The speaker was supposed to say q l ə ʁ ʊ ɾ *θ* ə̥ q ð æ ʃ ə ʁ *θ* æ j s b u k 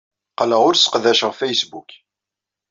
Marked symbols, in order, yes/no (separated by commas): no, no